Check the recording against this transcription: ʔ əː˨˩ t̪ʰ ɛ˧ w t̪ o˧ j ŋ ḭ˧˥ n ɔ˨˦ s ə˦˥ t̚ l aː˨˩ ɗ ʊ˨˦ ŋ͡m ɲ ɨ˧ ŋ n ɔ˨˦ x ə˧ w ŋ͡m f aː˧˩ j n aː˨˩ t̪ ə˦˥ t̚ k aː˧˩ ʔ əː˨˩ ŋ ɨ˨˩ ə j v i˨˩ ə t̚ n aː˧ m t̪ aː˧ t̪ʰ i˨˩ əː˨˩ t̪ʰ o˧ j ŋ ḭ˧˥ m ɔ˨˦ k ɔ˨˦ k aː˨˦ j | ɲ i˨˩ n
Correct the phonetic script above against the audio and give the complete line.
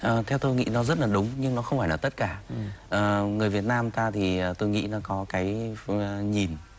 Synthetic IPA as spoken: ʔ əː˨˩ t̪ʰ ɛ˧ w t̪ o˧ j ŋ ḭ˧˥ n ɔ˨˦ z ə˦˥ t̚ l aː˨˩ ɗ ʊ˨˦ ŋ͡m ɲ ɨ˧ ŋ n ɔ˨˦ x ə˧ w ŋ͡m f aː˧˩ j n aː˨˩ t̪ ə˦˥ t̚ k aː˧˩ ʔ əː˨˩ ŋ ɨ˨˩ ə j v i˨˩ ə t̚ n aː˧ m t̪ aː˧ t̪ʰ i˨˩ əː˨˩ t̪ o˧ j ŋ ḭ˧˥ n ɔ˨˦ k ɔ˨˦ k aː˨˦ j | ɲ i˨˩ n